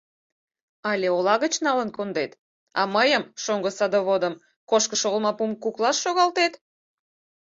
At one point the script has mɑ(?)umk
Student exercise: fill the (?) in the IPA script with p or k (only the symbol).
p